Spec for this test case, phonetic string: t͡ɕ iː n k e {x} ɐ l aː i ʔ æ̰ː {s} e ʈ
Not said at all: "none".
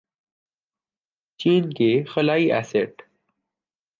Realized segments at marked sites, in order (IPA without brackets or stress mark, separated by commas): x, s